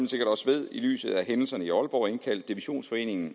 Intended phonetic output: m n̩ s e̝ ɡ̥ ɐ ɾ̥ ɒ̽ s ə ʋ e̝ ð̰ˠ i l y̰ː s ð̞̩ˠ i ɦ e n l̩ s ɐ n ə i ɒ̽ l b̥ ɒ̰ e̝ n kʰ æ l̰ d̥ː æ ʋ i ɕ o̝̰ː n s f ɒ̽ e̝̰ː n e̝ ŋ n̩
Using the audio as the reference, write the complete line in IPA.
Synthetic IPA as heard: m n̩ s e̝ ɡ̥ ɐ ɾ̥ ɒ̽ s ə ʋ e̝ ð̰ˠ i l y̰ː s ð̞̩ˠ æ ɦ e n l̩ s ɐ n ə i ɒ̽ l b̥ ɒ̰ e̝ n kʰ æ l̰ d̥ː i ʋ i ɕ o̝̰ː n s f ɒ̽ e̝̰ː n e̝ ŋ n̩